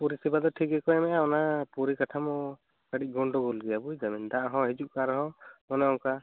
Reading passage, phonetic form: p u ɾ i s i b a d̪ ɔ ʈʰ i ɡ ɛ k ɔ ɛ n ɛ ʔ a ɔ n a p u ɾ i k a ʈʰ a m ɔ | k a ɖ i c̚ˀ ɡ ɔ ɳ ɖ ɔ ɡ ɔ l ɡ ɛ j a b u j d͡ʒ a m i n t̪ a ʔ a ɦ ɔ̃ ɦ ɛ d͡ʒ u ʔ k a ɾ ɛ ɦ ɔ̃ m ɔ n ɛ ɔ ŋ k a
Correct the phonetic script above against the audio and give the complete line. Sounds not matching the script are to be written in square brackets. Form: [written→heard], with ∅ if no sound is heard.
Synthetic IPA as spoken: p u ɾ i s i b a d̪ ɔ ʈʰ i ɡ ɛ k ɔ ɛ [n→m] ɛ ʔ a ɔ n a p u ɾ i k a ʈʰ a m ɔ | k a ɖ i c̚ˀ ɡ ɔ ɳ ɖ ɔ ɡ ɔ l ɡ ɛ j a b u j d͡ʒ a m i n [t̪→d̪] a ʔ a ɦ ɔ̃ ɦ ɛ d͡ʒ u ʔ k a ɾ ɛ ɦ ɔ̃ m ɔ n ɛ ɔ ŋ k a